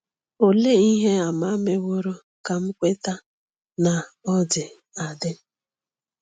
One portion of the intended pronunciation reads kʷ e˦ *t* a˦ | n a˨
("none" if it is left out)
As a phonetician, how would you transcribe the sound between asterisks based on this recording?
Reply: t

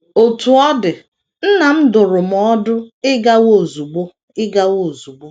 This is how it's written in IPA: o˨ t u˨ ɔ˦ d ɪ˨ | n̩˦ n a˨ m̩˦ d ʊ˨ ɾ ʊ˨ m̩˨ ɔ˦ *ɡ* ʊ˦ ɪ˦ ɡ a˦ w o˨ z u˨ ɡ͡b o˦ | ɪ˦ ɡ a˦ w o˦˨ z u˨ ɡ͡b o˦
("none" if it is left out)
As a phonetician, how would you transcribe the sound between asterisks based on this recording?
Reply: d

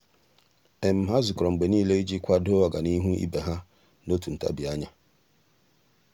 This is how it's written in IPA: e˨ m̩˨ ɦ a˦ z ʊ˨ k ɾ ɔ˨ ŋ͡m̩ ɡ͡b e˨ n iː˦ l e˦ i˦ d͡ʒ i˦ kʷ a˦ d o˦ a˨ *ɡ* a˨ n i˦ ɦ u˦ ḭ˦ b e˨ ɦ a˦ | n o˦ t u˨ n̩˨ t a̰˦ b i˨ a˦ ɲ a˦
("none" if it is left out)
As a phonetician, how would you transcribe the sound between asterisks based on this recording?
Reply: ɡ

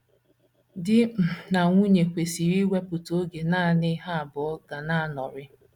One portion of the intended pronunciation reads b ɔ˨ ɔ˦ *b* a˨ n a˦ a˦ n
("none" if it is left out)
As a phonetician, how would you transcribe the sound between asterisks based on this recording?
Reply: ɡ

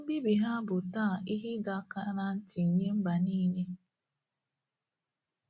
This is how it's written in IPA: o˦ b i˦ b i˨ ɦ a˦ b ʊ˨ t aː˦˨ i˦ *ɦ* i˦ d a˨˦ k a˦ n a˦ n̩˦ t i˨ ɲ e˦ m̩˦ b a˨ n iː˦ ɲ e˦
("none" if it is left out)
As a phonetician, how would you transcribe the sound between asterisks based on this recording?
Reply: ɦ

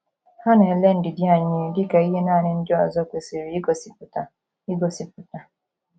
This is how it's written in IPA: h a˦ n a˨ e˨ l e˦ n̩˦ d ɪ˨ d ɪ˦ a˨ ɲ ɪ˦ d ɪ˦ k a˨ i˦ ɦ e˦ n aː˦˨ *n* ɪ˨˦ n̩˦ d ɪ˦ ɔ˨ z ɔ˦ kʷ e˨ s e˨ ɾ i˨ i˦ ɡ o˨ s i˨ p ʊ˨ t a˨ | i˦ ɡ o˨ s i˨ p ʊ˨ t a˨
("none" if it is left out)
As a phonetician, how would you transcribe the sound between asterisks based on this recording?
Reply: n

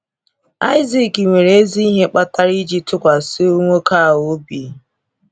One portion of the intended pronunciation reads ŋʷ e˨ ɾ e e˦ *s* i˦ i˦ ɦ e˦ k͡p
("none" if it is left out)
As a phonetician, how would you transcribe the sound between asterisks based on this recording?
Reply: z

